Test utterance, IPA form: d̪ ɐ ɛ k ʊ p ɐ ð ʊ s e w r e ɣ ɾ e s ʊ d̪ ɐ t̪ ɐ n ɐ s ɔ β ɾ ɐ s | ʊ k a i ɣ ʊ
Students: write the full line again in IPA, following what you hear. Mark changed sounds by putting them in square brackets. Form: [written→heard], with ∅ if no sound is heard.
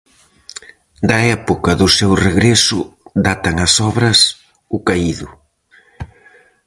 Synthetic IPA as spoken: d̪ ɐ ɛ [k→p] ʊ [p→k] ɐ ð ʊ s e w r e ɣ ɾ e s ʊ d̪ [ɐ→a] t̪ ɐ [n→ŋ] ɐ s ɔ β ɾ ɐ s | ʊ k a i [ɣ→ð] ʊ